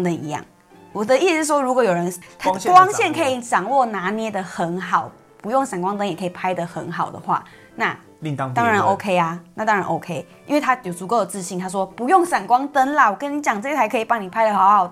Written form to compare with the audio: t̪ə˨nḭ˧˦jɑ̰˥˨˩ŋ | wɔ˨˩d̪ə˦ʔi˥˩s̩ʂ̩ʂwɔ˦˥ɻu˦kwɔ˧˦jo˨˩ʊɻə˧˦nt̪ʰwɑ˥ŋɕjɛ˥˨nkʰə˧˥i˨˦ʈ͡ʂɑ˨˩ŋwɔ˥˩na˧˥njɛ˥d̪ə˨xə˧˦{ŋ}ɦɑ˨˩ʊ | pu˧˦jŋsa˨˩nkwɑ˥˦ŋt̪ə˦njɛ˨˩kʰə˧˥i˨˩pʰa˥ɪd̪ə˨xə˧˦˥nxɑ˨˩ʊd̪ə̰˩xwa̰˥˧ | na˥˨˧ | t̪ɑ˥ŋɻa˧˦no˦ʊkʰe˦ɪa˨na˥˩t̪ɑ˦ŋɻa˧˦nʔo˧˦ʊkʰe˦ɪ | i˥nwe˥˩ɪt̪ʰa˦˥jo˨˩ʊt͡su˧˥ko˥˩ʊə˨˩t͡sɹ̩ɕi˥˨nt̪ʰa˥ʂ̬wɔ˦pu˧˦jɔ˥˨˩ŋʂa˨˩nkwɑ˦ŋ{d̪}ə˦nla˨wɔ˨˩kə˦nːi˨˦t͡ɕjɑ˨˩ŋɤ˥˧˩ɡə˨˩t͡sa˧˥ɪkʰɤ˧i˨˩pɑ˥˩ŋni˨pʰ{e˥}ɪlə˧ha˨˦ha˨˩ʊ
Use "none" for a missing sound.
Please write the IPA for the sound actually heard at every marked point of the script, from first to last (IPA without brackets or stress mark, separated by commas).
n, t̪, a˥